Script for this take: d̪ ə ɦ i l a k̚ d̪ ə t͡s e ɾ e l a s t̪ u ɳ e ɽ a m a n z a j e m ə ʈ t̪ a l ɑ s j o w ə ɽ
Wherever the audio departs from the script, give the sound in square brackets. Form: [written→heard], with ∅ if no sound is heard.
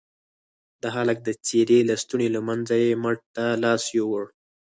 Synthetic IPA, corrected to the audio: d̪ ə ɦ [i→a] l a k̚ d̪ ə t͡s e ɾ e l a s t̪ u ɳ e [ɽ→l] a m a n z a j e m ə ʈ t̪ a l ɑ s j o w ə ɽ